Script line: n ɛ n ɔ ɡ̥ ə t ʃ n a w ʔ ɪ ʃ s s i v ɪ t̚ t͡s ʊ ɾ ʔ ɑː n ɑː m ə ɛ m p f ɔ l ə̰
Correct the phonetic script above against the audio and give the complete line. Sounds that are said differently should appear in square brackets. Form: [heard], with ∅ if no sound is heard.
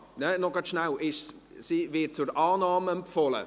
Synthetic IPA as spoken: n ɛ n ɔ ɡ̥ [ɑ] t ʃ n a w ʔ ɪ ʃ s s i v ɪ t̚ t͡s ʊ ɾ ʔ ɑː n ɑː m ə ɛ m p f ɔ l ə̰